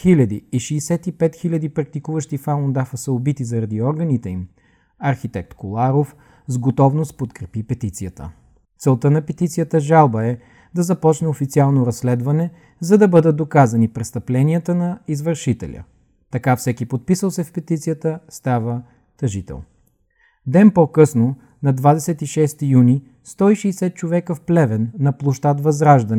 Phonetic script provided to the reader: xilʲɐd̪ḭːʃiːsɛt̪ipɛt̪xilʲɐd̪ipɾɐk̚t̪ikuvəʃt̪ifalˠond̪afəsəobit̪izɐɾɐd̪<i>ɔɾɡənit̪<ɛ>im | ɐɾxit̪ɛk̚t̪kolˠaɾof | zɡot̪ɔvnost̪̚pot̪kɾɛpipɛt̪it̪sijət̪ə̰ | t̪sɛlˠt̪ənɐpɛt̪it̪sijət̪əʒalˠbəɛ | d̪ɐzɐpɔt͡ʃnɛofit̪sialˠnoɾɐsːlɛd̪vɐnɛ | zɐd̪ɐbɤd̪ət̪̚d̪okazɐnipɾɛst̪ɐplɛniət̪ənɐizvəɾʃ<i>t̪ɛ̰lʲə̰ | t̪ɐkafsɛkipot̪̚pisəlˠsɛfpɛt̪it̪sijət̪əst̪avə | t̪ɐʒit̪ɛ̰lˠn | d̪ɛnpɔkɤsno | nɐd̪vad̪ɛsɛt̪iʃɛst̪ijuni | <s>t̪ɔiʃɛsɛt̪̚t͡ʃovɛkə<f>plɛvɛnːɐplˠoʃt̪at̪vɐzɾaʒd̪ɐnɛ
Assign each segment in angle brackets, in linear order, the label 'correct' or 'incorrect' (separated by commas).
correct, correct, correct, correct, correct